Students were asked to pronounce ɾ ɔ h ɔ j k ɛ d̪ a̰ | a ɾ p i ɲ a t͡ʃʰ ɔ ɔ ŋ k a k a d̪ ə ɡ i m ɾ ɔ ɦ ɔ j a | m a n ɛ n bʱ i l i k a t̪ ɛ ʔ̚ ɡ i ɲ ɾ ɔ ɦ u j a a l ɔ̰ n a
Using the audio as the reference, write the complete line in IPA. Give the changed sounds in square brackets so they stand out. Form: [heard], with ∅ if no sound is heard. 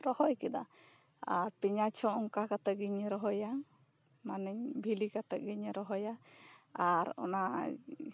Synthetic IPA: ɾ ɔ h ɔ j k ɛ d̪ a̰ | a ɾ p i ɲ a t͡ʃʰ ɔ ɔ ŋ k a k a [t̪] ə ɡ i [ɲ] ɾ ɔ ɦ ɔ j a | m a n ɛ [ɲ] bʱ i l i k a t̪ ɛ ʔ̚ ɡ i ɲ ɾ ɔ ɦ [ɔ] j a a [ɾ] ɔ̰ n a